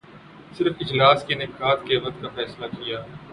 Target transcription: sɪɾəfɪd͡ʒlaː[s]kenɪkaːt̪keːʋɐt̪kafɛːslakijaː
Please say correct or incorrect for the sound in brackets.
correct